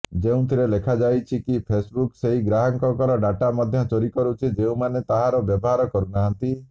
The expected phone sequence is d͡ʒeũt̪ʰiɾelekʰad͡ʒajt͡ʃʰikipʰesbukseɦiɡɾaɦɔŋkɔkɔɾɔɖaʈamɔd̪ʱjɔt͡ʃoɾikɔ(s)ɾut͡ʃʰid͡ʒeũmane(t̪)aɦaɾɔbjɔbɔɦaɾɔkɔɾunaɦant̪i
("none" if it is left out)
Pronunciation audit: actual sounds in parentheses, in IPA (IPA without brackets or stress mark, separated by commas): none, t̪